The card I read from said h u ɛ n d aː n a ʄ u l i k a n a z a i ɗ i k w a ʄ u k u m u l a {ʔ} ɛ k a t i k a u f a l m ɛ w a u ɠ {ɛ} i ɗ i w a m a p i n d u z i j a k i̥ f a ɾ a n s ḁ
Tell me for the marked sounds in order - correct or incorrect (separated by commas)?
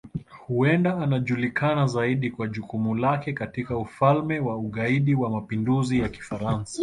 incorrect, incorrect